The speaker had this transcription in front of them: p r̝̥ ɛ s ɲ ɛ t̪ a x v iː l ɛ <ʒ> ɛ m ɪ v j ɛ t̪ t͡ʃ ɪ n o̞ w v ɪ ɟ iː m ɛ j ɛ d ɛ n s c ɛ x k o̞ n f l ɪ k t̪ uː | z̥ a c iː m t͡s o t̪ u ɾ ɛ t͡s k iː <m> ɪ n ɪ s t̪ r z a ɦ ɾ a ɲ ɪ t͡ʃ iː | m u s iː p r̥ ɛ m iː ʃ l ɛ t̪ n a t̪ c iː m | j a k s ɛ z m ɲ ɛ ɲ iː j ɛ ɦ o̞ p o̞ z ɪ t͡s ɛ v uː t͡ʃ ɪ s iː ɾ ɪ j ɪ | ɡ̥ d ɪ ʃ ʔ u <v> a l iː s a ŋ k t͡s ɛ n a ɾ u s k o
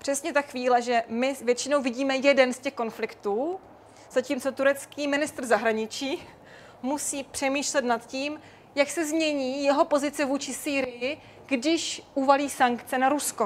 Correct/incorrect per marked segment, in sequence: correct, correct, correct

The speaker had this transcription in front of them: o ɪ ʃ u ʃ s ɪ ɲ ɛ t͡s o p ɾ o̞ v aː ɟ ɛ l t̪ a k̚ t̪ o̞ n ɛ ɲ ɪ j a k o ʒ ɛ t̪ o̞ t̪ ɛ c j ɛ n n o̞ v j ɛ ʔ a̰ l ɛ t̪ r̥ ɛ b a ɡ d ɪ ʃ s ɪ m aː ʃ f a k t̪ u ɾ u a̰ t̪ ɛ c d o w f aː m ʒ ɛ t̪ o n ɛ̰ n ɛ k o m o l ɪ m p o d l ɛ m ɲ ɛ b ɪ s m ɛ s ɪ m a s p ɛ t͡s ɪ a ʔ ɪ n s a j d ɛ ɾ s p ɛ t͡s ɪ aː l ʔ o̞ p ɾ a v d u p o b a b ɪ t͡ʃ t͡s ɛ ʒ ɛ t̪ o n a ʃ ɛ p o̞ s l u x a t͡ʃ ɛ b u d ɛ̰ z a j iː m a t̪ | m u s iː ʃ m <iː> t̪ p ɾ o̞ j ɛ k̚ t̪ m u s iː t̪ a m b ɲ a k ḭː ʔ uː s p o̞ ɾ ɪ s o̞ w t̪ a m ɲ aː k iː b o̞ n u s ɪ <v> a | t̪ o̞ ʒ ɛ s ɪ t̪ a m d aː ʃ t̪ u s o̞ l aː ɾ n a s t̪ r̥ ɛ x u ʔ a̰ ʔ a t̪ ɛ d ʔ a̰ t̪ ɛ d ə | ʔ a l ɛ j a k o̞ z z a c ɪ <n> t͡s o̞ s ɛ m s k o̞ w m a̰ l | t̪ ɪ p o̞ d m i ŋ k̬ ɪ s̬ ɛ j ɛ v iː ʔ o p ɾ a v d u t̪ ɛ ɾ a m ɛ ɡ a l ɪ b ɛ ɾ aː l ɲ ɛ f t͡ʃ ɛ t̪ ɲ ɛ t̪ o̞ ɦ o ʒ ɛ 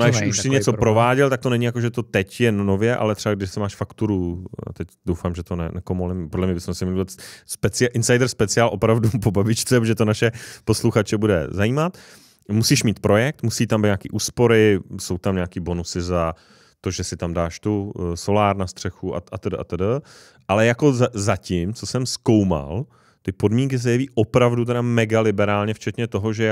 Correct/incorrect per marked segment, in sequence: correct, incorrect, incorrect

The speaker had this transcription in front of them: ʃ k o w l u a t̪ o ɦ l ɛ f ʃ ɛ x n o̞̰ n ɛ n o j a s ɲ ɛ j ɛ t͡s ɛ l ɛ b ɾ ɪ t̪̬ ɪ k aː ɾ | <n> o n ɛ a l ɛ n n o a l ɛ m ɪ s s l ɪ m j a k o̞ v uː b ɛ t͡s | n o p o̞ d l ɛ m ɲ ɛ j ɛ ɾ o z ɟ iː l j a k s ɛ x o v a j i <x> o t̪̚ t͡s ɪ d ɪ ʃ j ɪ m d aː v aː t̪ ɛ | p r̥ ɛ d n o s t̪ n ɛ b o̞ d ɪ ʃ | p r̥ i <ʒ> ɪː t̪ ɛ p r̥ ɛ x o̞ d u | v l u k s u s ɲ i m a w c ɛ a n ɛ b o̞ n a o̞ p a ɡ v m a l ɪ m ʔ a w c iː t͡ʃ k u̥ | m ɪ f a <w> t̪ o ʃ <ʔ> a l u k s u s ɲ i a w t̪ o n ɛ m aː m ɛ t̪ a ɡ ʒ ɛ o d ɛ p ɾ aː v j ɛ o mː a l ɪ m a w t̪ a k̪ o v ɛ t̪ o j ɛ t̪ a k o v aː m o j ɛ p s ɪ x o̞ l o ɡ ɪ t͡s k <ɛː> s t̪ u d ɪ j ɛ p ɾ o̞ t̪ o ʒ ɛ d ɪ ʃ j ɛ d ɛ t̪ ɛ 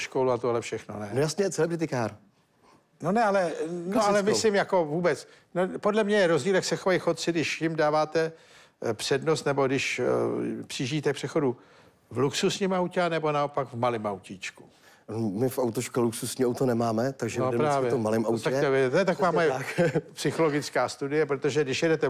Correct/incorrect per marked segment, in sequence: correct, correct, correct, correct, incorrect, incorrect

